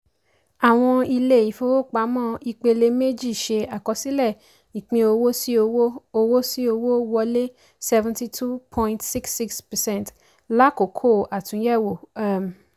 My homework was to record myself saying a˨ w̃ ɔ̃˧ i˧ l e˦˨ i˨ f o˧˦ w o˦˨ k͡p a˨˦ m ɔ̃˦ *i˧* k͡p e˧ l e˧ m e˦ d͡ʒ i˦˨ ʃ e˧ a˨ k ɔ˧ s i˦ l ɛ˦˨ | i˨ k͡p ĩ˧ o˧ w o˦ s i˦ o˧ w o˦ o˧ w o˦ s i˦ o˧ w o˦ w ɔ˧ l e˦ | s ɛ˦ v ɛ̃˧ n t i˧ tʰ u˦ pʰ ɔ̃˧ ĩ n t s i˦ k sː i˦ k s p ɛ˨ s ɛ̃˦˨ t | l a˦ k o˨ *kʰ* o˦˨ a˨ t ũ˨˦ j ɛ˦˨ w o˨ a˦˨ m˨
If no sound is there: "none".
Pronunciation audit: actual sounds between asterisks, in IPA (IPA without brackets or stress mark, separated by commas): i˧, kʰ